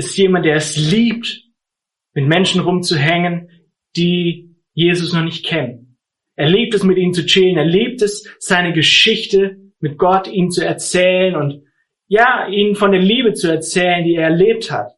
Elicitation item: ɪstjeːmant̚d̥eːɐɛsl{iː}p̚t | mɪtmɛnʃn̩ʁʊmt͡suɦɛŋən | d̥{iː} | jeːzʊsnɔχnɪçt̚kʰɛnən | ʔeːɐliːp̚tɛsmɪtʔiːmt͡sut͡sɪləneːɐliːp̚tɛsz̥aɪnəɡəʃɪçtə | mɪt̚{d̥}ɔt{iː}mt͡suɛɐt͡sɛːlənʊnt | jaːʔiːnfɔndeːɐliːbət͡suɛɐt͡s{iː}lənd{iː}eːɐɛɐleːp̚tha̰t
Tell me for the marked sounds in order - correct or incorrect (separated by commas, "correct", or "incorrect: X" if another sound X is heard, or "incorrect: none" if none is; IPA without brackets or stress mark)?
correct, correct, incorrect: ɡ̥, correct, incorrect: ɛː, correct